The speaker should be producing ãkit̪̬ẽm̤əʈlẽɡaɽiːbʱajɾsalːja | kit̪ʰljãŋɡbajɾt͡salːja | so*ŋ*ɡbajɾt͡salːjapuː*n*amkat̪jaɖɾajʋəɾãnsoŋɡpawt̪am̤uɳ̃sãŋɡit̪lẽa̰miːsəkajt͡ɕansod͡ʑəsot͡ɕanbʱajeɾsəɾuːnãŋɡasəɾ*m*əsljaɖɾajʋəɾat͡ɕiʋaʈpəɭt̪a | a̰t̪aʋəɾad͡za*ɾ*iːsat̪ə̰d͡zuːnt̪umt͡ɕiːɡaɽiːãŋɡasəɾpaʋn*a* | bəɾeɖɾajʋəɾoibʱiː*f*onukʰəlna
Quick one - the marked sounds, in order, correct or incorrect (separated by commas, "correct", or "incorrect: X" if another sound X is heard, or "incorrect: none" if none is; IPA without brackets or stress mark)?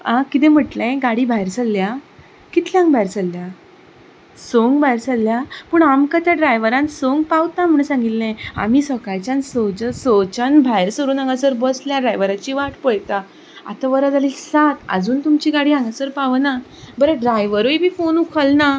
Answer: correct, incorrect: ɳ, incorrect: b, incorrect: l, correct, correct